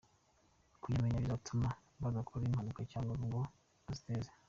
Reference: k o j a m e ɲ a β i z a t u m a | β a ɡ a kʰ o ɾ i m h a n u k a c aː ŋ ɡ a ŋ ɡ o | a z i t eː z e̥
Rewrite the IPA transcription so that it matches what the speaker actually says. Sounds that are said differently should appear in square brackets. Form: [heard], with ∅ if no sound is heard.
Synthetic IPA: k [u] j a m e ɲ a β i z a t u m a | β a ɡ a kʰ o ɾ i m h a n u k a c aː ŋ ɡ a ŋ ɡ o | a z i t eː z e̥